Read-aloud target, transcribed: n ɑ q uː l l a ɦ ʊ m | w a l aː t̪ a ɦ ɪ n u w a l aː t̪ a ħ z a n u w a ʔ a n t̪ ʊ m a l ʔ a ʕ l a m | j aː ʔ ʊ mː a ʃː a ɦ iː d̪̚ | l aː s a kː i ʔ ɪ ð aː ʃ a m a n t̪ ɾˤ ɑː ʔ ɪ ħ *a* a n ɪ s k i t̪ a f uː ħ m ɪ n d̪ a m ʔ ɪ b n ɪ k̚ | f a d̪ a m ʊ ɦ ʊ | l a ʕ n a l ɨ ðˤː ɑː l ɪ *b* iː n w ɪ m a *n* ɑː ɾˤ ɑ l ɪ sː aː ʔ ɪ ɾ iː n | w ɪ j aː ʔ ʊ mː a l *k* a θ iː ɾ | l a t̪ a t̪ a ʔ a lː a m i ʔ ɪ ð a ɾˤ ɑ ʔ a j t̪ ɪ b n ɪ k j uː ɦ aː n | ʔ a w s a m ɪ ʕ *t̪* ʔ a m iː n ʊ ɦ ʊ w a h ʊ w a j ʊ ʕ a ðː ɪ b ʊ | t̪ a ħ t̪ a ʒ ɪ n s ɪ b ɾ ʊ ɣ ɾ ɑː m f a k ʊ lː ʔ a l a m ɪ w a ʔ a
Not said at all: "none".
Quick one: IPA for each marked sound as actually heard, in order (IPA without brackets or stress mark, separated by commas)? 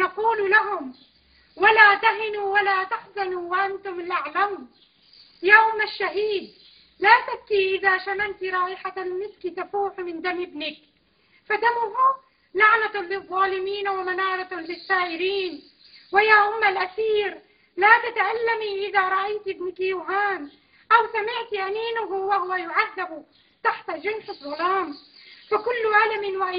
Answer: a, m, n, ʔ, t̪